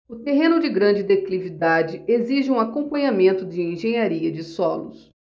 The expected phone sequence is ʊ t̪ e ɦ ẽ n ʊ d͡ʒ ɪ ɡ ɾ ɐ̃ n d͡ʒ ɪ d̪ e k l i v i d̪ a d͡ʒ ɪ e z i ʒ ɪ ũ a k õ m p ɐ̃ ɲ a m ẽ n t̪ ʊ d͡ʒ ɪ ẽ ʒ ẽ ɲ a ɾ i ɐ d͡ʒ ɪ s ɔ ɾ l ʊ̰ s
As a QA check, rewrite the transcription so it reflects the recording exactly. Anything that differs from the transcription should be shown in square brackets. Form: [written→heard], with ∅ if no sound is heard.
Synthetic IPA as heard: ʊ t̪ e ɦ ẽ n ʊ d͡ʒ ɪ ɡ ɾ ɐ̃ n d͡ʒ ɪ d̪ e k l i v i d̪ a d͡ʒ ɪ e z i ʒ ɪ ũ a k õ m p ɐ̃ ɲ a m ẽ n t̪ ʊ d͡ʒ ɪ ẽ ʒ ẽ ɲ a ɾ i ɐ d͡ʒ ɪ s ɔ [ɾ→∅] l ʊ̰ s